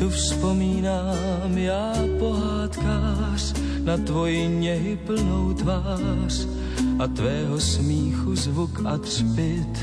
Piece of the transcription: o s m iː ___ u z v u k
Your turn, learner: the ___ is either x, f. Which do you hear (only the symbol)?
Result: x